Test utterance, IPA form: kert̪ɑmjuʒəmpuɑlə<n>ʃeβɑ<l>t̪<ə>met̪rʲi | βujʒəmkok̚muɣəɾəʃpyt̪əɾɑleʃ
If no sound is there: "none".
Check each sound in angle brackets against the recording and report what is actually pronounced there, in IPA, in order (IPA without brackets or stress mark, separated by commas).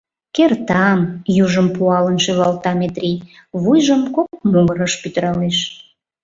n, l, ɑ